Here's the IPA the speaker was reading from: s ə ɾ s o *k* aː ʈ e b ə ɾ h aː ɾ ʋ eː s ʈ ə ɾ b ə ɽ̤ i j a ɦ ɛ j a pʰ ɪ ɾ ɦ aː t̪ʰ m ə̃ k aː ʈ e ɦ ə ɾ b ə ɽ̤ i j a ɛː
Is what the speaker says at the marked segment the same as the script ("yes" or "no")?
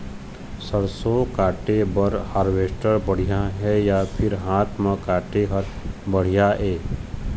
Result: yes